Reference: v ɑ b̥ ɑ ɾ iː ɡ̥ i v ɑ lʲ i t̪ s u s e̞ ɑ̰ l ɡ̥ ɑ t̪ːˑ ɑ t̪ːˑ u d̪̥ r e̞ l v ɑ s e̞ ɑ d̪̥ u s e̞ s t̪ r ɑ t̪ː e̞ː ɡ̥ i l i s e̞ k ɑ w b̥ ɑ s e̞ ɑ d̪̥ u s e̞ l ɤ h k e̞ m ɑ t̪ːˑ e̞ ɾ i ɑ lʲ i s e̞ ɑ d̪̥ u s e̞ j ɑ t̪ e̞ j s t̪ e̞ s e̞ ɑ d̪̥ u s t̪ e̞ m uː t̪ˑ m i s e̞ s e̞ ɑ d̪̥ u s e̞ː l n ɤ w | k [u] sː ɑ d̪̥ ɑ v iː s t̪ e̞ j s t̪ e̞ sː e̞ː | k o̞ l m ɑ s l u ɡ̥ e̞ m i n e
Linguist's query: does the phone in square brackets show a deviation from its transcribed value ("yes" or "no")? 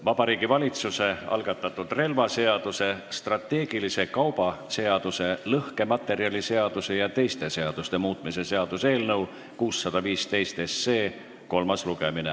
yes